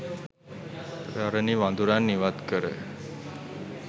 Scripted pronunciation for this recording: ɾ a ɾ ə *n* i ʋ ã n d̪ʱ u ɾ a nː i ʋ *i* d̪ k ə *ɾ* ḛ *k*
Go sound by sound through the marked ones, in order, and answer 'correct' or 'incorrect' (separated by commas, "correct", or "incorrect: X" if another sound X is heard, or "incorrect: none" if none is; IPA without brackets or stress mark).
correct, incorrect: a, correct, incorrect: none